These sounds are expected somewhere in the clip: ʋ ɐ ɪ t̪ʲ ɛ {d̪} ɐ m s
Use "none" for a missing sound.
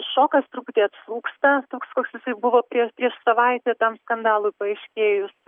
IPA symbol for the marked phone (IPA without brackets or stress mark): t̪